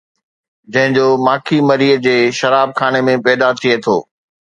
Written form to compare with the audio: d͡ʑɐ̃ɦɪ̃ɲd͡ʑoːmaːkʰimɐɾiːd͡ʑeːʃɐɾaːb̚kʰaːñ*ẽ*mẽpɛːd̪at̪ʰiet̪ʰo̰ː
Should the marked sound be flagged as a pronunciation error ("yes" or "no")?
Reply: yes